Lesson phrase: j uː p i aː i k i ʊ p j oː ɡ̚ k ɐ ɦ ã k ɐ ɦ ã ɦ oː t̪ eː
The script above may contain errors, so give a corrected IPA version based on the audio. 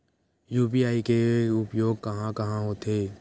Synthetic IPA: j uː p i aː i k e ʊ p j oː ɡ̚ k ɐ ɦ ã k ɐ ɦ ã ɦ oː t̪ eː